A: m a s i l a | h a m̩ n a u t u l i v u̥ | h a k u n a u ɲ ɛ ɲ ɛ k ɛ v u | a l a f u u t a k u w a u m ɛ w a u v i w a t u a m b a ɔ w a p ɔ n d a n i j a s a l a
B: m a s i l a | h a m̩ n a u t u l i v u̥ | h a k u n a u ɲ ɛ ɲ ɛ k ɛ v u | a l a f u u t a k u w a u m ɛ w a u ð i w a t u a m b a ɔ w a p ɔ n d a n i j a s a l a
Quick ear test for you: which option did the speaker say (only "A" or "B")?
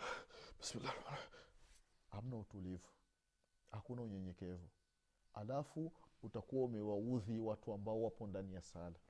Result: B